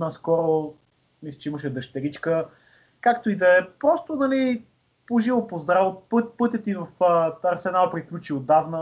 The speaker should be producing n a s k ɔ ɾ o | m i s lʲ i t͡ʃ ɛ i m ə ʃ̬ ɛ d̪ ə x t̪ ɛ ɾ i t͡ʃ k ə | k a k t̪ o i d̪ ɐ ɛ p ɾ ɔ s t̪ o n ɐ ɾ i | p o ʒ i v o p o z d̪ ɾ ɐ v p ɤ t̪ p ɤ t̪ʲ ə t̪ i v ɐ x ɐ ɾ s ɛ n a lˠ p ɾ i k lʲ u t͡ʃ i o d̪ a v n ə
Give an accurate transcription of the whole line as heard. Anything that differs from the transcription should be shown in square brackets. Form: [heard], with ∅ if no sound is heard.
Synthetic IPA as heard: n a s k ɔ ɾ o | m i s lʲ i t͡ʃ ɛ i m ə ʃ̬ ɛ d̪ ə [ʃ] t̪ ɛ ɾ i t͡ʃ k ə | k a k t̪ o i d̪ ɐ ɛ p ɾ ɔ s t̪ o n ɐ [l] i | p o ʒ i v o p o z d̪ ɾ [a] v p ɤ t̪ p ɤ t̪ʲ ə t̪ i v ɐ [f] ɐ ɾ s ɛ n a lˠ p ɾ i k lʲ u t͡ʃ i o d̪ a v n ə